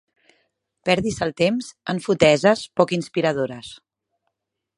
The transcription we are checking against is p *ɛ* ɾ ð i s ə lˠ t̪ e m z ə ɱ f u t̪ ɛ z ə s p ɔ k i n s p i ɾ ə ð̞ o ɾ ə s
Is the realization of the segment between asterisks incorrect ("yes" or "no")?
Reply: no